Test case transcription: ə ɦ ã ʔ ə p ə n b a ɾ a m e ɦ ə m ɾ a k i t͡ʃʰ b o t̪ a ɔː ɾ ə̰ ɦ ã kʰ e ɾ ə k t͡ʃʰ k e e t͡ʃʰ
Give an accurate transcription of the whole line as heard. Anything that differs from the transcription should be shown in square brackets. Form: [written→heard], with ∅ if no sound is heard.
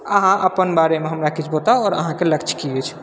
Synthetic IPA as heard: ə ɦ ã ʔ ə p ə n b a ɾ [a→e] m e ɦ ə m ɾ a k i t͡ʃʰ b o t̪ a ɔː ɾ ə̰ ɦ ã [kʰ→k] e [ɾ→l] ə k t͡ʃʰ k [e→i] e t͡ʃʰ